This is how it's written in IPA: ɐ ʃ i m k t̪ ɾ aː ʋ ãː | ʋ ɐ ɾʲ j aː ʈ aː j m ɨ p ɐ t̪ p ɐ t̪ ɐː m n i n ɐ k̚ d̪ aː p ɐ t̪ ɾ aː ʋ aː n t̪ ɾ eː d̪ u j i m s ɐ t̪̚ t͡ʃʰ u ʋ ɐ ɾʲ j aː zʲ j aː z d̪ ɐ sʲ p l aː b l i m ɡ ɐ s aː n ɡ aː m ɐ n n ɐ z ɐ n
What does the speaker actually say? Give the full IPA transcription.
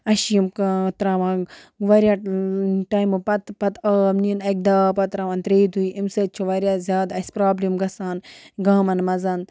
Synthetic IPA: ɐ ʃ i m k t̪ ɾ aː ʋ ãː | ʋ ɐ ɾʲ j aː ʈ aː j m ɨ p ɐ t̪ p ɐ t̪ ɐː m n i n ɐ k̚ d̪ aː p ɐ t̪ ɾ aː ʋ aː n t̪ ɾ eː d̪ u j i m s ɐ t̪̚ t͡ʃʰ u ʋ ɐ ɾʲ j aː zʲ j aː d̪ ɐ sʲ p ɾ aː b l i m ɡ ɐ s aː n ɡ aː m ɐ n m ɐ z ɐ n

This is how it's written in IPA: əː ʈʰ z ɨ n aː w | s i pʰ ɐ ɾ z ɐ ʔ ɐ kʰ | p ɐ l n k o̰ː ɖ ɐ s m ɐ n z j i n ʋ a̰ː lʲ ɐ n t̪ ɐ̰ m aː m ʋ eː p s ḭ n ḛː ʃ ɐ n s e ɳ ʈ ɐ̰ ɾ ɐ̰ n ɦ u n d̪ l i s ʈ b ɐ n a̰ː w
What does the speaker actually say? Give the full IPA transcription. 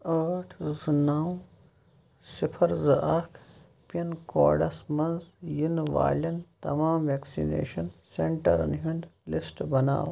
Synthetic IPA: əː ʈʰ z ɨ n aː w | s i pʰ ɐ ɾ z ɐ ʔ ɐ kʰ | p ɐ n k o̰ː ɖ ɐ s m ɐ n z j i n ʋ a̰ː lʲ ɐ n t̪ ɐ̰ m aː m ʋ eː k s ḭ n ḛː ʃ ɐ n s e ɳ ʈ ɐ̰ ɾ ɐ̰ n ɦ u n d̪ l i s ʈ b ɐ n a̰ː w

